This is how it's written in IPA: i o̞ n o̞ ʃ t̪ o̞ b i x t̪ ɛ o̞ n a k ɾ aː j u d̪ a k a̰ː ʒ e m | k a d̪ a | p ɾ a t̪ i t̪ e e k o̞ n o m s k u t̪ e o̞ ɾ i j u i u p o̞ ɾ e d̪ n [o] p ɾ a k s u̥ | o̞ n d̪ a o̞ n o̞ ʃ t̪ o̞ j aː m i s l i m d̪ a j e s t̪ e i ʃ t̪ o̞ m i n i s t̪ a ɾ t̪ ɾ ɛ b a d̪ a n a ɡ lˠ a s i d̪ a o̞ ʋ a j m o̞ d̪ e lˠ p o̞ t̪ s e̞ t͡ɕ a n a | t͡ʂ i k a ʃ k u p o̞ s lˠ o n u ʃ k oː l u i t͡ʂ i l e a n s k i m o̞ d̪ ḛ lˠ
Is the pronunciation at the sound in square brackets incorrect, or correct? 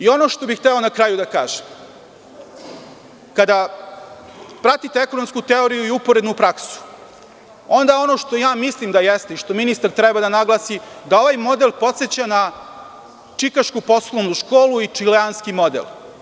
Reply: incorrect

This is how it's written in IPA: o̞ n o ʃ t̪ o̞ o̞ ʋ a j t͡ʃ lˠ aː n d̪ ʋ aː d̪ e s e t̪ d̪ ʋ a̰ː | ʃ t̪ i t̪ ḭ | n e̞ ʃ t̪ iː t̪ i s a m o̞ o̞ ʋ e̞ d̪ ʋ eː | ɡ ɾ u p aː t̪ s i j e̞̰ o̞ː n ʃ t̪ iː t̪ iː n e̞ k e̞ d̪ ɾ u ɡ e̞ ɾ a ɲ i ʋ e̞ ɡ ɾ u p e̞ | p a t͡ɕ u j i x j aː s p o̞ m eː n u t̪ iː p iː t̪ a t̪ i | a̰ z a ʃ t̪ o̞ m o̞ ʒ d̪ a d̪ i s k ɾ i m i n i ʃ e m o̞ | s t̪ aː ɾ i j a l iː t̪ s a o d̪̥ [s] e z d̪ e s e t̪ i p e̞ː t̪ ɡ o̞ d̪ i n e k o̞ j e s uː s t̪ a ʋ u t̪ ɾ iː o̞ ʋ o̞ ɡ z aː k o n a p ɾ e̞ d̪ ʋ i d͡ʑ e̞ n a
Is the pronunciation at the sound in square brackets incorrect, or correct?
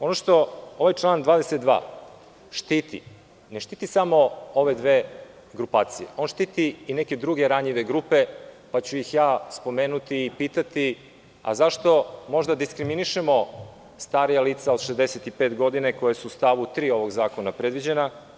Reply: incorrect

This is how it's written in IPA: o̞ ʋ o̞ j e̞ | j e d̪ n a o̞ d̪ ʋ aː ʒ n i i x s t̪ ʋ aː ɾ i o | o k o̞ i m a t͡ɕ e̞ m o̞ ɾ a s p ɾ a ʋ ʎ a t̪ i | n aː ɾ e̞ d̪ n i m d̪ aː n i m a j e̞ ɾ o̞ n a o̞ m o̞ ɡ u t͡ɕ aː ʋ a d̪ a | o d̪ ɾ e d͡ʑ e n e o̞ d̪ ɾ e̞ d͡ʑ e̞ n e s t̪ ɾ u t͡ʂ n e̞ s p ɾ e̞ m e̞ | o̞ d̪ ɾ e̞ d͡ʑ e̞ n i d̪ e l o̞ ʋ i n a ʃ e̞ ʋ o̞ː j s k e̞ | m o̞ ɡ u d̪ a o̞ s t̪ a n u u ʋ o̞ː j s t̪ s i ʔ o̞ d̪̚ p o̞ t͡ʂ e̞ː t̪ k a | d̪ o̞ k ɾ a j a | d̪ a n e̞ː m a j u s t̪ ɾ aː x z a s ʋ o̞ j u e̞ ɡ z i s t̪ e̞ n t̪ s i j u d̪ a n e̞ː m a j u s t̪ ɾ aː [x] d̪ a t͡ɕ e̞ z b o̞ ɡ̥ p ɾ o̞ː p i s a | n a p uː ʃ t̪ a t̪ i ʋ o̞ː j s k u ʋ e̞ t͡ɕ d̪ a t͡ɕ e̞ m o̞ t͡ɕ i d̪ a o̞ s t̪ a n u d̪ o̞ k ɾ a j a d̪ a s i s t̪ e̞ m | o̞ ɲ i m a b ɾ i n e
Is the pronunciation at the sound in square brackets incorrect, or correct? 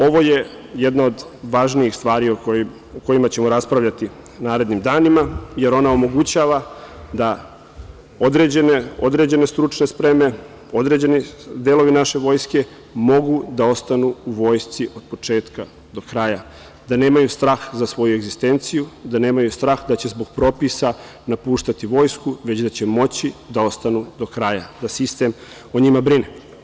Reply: correct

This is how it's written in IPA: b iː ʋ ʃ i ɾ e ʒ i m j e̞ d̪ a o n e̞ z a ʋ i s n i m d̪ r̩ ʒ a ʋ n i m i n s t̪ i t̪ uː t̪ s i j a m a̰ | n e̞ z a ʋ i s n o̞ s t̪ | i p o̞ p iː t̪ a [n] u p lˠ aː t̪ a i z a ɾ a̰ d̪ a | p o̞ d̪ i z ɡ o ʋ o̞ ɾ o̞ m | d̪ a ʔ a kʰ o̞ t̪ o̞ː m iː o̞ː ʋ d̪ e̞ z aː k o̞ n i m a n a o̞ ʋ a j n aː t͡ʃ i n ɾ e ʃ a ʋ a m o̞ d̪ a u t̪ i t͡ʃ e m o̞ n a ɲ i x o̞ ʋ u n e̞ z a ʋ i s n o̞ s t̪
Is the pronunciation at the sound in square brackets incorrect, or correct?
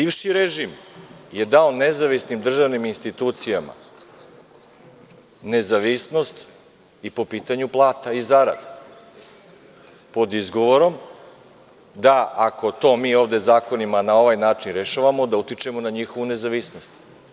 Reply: incorrect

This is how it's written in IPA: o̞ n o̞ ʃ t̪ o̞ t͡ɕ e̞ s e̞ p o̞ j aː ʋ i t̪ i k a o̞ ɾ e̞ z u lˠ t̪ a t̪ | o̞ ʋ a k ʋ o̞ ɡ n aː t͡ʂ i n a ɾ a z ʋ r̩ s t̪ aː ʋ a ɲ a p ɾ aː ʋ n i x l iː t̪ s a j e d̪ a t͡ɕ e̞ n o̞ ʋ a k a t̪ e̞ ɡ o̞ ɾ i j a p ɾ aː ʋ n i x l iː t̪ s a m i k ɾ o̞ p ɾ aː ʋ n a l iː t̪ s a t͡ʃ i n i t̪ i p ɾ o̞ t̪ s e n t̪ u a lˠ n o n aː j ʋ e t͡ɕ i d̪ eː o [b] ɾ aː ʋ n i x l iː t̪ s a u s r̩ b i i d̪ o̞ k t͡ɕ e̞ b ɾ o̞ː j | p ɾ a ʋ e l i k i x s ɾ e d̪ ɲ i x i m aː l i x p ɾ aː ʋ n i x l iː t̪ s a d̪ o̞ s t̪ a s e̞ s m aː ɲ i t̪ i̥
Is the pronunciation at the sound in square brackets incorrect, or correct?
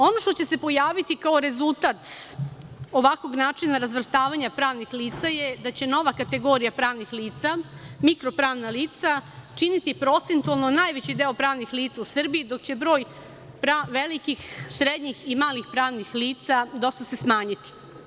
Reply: incorrect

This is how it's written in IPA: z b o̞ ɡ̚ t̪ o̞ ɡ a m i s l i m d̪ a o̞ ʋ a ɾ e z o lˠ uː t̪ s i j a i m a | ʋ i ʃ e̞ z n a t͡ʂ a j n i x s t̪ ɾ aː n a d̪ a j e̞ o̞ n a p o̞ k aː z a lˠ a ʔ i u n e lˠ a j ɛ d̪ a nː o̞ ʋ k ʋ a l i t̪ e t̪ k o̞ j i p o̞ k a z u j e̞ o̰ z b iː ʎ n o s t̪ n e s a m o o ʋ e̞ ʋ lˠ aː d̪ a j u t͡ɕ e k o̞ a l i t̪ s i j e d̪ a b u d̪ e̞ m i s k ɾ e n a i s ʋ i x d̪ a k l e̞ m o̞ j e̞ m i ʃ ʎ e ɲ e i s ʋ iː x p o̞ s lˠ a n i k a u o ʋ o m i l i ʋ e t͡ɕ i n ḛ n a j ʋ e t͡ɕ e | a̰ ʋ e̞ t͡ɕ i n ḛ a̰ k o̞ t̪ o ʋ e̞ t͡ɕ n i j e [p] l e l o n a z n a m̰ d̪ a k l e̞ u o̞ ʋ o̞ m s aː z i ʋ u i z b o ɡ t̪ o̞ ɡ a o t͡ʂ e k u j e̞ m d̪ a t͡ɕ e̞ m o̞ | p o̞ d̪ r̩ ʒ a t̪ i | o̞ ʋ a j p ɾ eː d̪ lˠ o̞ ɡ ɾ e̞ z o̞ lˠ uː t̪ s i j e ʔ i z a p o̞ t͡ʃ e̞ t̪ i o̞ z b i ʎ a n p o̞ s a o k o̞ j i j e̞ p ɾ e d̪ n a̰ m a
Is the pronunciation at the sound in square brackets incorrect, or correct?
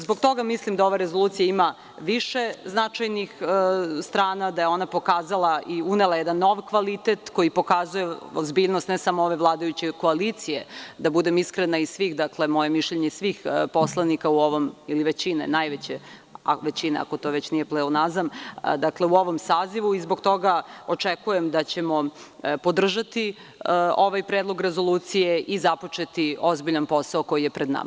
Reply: correct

